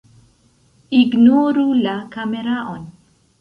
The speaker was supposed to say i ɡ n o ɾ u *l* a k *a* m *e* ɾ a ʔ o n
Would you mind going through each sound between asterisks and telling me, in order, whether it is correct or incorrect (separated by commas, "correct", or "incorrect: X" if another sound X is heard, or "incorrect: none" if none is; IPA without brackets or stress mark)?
correct, correct, correct